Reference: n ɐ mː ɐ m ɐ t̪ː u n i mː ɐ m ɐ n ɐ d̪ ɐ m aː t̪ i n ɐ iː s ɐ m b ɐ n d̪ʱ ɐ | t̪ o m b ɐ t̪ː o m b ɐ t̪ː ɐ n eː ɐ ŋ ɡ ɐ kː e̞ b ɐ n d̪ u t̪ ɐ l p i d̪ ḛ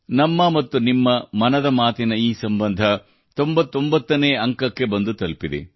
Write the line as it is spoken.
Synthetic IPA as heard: n ɐ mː ɐ m ɐ t̪ː u n i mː ɐ m ɐ n ɐ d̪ ɐ m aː t̪ i n ɐ iː s ɐ m b ɐ n d̪ʱ ɐ | t̪ o m b ɐ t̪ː o m b ɐ t̪ː ɐ n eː ɐ ŋ k ɐ kː e̞ b ɐ n d̪ u t̪ ɐ l p i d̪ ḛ